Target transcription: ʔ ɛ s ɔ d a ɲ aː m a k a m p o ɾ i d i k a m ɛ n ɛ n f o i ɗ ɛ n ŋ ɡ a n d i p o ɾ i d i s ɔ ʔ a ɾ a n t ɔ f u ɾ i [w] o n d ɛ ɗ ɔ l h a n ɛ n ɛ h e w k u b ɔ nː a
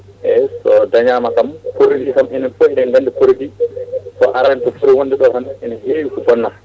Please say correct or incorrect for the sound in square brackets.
correct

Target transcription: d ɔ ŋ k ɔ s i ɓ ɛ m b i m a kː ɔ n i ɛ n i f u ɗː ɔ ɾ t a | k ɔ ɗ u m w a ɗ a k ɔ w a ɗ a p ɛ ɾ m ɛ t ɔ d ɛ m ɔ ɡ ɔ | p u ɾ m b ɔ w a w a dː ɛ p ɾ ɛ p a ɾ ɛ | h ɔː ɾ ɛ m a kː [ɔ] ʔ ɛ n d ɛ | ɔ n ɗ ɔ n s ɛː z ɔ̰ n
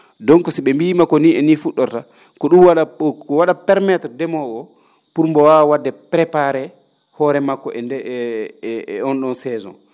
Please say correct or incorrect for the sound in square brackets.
correct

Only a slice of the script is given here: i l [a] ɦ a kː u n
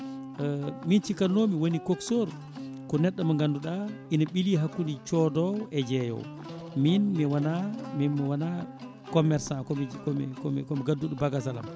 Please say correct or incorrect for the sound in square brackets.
incorrect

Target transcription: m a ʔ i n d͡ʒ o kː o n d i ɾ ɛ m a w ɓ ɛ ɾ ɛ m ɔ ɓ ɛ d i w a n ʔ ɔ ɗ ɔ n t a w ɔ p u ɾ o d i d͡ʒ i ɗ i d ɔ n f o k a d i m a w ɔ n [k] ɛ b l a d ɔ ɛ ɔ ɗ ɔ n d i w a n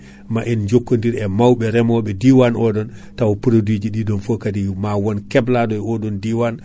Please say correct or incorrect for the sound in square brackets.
correct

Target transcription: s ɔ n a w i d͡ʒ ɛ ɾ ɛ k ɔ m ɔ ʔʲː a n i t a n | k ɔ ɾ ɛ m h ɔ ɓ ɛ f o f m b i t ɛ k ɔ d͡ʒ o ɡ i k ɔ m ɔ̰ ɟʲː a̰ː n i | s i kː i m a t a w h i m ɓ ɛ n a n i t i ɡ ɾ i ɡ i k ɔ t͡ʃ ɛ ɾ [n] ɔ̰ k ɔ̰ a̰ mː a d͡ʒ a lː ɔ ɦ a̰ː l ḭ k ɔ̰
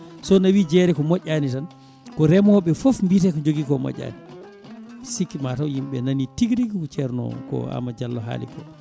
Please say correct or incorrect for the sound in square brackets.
correct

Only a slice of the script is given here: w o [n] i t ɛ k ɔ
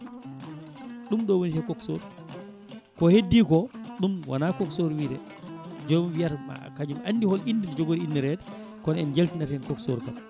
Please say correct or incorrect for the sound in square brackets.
correct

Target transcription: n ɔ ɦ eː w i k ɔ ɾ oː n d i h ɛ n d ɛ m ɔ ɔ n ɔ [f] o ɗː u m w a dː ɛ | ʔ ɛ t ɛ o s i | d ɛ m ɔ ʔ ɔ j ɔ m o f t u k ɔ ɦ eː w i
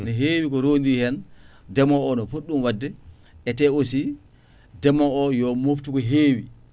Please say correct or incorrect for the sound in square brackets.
correct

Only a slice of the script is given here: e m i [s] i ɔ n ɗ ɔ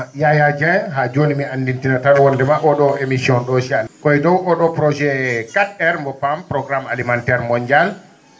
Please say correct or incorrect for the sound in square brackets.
correct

